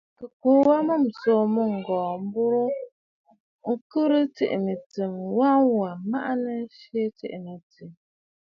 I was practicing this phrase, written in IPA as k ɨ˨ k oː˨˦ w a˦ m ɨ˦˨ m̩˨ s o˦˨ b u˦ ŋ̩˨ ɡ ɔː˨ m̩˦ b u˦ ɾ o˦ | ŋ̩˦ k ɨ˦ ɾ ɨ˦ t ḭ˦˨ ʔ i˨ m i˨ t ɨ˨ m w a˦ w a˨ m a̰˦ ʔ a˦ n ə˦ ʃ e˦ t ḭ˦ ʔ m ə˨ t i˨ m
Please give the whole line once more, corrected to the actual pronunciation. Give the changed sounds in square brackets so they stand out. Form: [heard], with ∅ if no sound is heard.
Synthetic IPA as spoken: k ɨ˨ k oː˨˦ w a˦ m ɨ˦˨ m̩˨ s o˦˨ [m] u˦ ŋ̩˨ ɡ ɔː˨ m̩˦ b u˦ ɾ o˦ | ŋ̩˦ k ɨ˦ ɾ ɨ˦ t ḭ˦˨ ʔ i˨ m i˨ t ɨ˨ m w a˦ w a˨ m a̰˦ ʔ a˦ n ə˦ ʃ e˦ t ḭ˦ ʔ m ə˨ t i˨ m